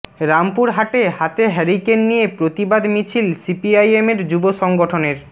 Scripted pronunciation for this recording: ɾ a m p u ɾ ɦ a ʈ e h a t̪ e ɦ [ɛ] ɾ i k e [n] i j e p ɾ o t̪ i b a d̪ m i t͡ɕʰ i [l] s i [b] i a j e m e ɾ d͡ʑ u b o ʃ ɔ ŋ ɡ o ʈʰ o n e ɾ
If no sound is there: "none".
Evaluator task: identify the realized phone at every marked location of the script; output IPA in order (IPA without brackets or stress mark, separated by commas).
ɛ, nː, l, p